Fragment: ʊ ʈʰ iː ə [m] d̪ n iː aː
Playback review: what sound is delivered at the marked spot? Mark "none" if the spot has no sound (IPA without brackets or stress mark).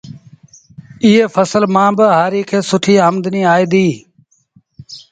m